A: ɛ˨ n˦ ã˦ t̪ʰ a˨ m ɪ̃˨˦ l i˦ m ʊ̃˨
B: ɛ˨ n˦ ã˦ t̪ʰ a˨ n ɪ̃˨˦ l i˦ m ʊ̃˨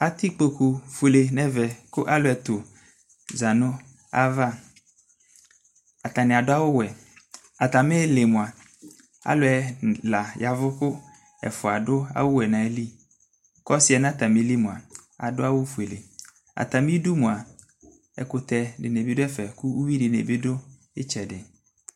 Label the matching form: A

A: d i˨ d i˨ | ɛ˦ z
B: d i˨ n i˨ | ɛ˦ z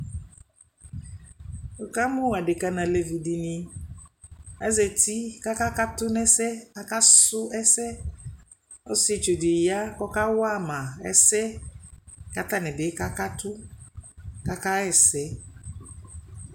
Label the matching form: B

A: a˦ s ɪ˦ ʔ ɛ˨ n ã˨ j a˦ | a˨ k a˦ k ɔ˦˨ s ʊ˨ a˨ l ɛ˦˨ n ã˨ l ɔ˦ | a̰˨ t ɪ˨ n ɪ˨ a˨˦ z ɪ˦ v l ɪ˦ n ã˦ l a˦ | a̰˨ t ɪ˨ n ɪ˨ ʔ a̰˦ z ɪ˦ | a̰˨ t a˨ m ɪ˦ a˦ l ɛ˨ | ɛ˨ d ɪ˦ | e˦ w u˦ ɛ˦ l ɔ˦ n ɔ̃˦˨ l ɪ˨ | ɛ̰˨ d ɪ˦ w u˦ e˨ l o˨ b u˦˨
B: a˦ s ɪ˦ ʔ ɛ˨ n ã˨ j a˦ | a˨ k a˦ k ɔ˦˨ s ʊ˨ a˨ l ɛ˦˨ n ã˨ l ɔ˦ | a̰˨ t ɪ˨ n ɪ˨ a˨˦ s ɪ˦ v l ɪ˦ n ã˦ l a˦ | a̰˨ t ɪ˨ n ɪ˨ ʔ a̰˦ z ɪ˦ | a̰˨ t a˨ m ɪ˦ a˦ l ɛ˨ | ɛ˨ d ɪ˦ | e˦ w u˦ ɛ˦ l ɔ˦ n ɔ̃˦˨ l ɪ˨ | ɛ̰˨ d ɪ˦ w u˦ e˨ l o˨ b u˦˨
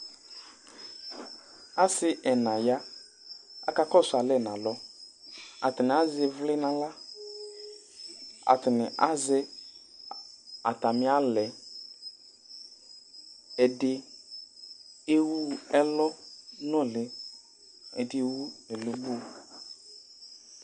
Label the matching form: A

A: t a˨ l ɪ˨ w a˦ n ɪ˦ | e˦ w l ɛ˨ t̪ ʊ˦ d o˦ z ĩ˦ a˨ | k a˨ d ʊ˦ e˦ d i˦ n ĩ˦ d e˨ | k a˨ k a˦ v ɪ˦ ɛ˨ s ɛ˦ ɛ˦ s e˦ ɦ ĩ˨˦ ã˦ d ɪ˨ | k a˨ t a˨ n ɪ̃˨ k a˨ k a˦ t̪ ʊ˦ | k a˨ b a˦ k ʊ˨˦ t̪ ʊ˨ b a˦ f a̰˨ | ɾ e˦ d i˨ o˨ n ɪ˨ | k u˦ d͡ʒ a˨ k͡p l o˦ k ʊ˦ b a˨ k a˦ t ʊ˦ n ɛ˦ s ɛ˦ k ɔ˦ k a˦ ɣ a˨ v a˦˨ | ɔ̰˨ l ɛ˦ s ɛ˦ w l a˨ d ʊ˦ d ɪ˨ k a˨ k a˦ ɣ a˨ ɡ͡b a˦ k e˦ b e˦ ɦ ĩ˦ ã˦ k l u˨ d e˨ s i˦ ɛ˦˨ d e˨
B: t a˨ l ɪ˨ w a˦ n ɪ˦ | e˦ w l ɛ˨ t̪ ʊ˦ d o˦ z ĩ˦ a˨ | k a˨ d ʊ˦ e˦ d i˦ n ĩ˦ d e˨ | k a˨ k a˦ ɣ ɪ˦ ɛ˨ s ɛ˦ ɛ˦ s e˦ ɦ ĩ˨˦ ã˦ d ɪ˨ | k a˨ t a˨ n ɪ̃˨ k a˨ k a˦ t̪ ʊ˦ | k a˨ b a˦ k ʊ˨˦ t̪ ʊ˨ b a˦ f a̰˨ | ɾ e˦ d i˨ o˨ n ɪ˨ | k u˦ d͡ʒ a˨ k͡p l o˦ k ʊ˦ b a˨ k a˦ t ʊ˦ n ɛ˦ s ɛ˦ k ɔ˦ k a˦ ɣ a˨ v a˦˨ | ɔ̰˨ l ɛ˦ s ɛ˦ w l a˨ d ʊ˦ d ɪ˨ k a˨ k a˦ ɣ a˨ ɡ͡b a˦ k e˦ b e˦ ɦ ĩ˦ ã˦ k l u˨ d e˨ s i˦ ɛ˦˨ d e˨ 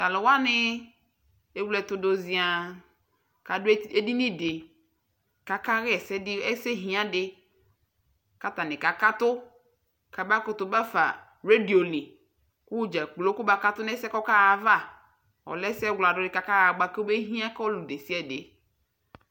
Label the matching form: B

